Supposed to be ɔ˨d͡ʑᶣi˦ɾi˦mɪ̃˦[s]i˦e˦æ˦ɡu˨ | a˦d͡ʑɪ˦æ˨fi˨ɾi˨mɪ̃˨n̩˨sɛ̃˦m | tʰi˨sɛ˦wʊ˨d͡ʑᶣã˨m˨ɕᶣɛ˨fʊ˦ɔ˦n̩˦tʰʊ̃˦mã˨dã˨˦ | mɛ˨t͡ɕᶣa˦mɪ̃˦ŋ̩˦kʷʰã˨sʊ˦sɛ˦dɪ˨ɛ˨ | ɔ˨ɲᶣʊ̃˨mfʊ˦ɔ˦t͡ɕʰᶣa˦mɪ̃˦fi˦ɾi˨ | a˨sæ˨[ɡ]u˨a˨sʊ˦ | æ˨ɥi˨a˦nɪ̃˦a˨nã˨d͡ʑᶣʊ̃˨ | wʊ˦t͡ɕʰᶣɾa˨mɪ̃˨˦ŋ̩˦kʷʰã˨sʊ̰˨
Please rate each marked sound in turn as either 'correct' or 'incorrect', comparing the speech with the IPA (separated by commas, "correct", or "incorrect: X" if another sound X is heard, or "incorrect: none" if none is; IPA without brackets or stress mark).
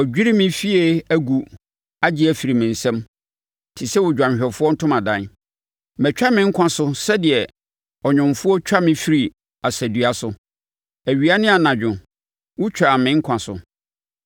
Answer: incorrect: f, incorrect: d